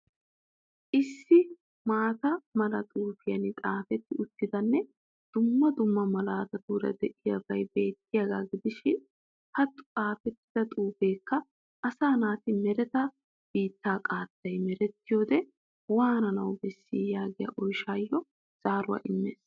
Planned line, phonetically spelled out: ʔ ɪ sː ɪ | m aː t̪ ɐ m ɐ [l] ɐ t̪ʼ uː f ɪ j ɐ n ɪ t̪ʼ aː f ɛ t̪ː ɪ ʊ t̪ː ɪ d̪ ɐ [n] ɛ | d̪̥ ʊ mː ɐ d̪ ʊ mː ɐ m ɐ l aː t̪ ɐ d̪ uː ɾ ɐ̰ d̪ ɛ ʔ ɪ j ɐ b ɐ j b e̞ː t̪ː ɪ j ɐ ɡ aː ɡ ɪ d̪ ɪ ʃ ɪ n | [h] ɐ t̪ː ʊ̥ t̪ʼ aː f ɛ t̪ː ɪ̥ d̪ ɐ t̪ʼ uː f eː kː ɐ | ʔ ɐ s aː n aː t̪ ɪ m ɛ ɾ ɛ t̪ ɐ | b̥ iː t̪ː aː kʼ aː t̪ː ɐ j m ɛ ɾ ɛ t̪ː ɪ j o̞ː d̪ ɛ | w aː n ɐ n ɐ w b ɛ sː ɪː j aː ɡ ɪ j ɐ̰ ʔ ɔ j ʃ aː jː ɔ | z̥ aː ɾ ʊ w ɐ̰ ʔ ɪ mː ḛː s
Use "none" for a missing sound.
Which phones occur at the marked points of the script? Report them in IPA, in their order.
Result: l, nː, h

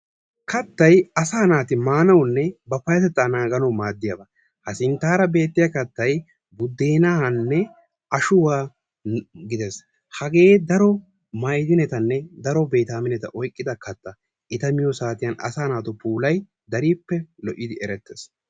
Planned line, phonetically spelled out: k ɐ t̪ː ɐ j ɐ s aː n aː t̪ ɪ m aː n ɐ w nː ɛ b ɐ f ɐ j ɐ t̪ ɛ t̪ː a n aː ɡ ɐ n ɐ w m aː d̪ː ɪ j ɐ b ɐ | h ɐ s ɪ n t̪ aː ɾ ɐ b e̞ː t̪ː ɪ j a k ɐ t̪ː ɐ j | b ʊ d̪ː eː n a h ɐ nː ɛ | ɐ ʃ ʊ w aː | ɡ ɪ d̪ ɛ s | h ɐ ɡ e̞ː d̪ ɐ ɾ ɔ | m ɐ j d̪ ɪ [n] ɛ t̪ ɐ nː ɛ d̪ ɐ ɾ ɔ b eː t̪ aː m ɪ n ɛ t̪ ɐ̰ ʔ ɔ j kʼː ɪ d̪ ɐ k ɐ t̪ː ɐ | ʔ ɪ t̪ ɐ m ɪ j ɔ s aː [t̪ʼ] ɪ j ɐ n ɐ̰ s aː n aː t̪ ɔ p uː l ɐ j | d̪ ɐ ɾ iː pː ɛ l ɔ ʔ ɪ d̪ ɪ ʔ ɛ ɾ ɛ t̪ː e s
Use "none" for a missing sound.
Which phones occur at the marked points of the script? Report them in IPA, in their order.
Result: n, t̪

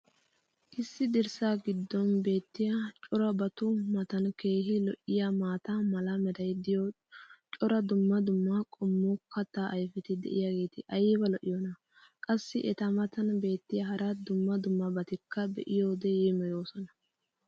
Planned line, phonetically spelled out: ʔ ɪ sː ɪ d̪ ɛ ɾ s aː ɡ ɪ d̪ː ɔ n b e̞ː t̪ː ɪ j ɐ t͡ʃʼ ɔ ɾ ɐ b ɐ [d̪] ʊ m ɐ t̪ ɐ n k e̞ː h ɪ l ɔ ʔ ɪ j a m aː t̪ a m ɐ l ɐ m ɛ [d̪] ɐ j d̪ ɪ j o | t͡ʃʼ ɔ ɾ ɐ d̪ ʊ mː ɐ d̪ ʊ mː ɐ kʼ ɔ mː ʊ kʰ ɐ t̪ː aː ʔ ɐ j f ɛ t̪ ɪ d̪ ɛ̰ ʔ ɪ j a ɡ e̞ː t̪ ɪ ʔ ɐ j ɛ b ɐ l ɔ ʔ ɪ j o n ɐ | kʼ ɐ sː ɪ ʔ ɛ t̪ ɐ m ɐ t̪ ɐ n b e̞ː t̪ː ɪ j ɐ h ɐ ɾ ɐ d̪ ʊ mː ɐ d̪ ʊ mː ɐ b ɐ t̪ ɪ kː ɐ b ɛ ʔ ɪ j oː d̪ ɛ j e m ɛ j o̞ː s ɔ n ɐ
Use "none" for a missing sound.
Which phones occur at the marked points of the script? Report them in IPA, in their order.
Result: t̪, d̪

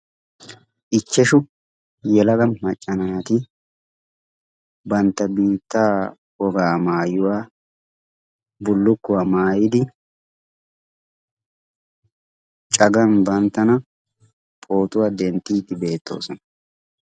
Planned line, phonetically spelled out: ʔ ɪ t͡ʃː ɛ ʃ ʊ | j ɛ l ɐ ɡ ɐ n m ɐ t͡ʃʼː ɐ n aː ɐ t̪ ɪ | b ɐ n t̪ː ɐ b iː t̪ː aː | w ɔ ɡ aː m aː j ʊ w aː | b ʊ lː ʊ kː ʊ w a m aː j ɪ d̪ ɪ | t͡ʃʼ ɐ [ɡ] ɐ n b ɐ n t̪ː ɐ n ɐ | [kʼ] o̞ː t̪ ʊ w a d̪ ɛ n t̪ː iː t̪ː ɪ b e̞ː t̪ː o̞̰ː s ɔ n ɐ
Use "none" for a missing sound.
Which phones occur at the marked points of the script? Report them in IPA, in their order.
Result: ɡ, pʼ

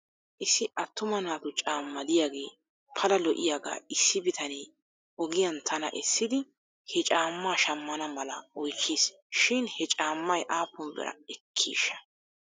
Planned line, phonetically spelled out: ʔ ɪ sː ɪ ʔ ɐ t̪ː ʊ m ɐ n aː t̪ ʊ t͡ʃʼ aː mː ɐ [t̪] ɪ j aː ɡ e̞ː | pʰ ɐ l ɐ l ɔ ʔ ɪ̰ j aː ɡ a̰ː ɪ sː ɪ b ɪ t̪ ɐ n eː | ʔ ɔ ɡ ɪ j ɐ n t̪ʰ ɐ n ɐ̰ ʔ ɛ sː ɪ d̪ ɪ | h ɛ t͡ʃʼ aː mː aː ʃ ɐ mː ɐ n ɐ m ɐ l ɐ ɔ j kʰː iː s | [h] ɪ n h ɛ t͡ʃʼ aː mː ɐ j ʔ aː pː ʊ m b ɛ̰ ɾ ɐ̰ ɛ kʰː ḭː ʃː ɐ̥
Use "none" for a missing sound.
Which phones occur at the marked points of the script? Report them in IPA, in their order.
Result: d̪, ʃ

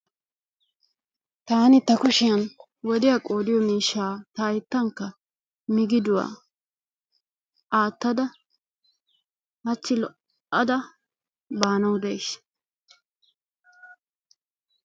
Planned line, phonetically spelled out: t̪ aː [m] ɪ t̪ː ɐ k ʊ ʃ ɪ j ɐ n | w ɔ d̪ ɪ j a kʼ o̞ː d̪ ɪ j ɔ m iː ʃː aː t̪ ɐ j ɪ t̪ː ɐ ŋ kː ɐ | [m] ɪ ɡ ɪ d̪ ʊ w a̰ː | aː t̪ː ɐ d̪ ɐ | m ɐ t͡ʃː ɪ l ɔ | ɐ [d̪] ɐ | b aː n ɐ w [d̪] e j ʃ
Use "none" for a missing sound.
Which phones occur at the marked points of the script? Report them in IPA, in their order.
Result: n, m, d̪, d̪

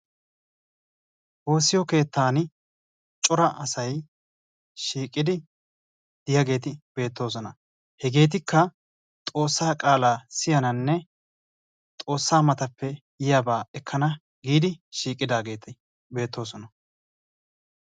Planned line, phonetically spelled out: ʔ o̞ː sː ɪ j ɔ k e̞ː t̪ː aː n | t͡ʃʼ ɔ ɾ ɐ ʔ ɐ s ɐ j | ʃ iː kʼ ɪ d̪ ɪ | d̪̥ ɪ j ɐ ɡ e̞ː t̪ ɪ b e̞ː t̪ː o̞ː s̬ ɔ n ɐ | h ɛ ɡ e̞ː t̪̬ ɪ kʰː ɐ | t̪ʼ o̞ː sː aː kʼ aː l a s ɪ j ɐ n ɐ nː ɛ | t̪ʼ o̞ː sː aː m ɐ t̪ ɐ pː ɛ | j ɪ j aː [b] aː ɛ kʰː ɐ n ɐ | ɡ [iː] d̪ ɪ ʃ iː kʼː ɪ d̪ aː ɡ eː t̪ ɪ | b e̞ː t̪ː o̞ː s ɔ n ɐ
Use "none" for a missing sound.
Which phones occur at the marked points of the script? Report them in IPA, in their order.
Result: b, iː

